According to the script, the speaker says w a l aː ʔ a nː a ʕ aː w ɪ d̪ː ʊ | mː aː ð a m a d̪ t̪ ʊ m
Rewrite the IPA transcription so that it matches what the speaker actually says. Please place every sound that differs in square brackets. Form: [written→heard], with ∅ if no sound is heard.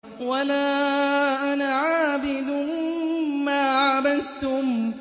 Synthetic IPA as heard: w a l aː ʔ a [nː→n] a ʕ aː [w→b] ɪ [d̪ː→d̪] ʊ | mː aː [ð→ʕ] a [m→b] a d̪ t̪ ʊ m